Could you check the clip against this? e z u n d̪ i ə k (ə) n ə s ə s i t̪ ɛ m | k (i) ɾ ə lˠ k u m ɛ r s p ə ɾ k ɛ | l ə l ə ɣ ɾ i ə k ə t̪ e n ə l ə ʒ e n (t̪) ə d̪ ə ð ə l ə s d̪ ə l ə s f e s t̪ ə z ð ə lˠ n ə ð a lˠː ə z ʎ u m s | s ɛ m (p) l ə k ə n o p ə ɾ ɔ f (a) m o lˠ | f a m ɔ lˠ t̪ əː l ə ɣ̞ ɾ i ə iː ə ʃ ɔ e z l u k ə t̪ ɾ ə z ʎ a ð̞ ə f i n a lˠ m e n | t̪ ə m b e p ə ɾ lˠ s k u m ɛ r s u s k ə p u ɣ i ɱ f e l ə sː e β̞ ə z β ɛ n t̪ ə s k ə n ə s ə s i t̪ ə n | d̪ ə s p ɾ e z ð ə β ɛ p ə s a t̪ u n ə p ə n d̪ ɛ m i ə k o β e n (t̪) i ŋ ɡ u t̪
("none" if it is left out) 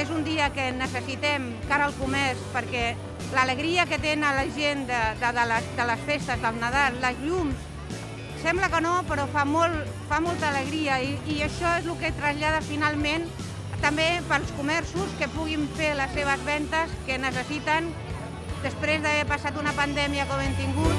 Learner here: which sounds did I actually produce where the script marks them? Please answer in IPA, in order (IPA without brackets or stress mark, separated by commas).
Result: ə, a, d̪, b, a, t̪